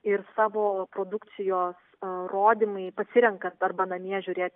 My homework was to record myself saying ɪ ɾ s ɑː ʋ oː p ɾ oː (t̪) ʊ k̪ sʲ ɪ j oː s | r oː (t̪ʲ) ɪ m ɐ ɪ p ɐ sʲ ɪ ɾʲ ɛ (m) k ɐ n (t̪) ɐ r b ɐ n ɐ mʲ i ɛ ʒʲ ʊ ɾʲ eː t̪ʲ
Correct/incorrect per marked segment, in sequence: incorrect: d̪, incorrect: d̪ʲ, incorrect: ŋ, correct

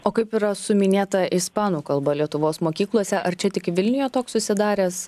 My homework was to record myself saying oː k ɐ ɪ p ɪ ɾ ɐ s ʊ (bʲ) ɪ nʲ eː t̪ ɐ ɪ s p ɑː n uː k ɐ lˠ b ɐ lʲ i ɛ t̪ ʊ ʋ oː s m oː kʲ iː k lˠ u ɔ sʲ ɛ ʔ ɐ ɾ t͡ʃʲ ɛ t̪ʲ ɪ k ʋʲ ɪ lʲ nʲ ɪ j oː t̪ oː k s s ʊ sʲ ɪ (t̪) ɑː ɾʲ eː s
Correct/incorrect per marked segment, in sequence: incorrect: mʲ, incorrect: d̪

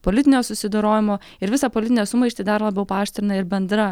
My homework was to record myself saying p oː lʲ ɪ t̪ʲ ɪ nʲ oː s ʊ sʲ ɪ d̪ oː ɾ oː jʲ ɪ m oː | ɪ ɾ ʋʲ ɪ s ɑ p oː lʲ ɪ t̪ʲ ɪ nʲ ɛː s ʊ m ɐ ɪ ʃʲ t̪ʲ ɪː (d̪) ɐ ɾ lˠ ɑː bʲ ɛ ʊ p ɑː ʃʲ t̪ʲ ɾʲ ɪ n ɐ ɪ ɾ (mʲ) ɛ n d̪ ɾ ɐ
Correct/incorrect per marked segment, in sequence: correct, incorrect: bʲ

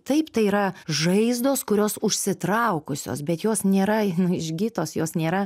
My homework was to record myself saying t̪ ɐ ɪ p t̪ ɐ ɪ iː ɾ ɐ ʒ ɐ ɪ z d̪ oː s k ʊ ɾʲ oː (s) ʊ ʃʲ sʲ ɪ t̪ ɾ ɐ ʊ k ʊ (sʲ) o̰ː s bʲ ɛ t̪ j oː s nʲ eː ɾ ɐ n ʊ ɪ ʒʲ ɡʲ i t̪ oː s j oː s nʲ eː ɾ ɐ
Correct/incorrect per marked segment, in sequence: correct, correct

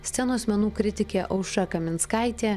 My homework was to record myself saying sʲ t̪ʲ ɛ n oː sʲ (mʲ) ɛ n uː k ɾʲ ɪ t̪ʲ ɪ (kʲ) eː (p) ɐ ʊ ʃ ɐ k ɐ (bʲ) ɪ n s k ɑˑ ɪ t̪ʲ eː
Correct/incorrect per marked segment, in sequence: correct, correct, incorrect: ʔ, incorrect: mʲ

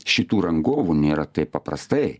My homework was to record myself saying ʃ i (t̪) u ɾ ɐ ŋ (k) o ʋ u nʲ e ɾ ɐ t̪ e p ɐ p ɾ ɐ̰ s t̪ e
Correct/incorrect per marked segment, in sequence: correct, incorrect: ɡ

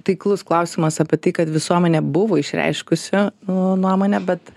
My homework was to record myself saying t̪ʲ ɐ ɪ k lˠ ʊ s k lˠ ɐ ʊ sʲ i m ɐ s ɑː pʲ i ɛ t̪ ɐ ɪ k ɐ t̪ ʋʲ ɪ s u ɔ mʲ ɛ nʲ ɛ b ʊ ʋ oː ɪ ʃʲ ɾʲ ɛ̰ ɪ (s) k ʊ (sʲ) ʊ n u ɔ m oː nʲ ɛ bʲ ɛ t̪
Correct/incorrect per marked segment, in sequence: incorrect: ʃ, correct

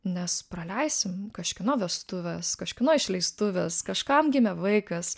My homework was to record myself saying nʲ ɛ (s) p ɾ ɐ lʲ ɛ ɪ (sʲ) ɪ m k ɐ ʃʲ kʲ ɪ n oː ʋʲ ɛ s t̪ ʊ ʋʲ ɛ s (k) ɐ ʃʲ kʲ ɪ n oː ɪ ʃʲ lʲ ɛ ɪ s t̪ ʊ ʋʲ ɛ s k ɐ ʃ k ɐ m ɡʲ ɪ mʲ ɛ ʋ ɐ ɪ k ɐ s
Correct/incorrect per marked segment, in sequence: correct, correct, correct

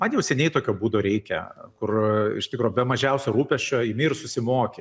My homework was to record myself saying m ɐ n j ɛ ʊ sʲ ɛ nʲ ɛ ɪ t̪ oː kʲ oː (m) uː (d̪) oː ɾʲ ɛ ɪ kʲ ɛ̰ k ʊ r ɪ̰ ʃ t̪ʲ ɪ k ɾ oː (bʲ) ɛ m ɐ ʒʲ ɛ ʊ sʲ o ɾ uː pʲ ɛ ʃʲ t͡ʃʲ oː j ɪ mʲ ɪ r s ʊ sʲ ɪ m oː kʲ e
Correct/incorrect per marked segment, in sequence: incorrect: b, correct, correct

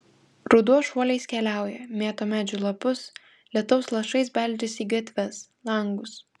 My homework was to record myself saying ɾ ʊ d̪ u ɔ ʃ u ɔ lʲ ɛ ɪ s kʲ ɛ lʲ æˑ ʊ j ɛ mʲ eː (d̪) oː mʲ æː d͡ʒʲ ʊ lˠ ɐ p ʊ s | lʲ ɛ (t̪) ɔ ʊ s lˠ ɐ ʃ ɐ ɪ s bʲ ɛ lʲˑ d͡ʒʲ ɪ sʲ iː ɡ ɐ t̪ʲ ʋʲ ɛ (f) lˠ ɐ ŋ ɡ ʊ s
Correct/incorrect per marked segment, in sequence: incorrect: t̪, correct, incorrect: s

